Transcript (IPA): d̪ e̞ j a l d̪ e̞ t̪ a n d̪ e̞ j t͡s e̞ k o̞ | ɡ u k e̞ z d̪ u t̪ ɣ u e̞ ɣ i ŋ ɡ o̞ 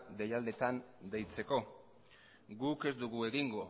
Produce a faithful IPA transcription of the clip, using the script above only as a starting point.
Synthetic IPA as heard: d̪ e̞ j a l d̪ e̞ t̪ a n d̪ e̞ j t͡s e̞ k o̞ | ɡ u k e̞ z d̪ u ɣ u e̞ ɣ i ŋ ɡ o̞